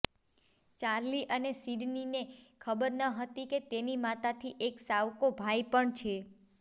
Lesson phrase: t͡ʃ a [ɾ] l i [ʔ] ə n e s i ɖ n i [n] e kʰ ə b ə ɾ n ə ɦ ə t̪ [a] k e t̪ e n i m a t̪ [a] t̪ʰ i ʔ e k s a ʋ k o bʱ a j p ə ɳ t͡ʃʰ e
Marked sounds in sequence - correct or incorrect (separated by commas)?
correct, correct, correct, incorrect, correct